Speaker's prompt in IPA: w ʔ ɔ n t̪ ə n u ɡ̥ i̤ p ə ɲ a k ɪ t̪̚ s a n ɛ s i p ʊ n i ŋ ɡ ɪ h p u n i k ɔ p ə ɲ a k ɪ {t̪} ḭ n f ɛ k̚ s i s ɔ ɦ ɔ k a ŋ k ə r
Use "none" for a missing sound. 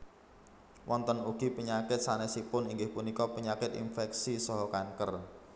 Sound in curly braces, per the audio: t̪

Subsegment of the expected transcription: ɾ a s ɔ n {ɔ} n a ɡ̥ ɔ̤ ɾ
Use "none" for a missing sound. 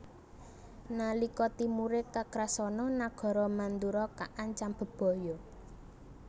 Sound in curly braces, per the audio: ɔ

